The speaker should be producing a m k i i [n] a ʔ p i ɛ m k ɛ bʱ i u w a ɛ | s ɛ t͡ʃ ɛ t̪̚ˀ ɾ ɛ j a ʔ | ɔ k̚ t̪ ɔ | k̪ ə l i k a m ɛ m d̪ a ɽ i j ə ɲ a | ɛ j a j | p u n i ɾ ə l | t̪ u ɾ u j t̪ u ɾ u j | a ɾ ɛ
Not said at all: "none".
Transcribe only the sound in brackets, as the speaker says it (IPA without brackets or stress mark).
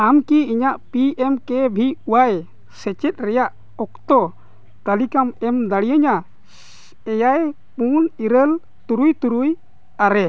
ɲ